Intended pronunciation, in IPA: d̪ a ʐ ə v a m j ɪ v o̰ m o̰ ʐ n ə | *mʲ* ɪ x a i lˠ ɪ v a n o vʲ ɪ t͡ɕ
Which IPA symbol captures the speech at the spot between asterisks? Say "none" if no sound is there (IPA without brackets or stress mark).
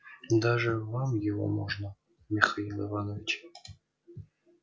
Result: mʲ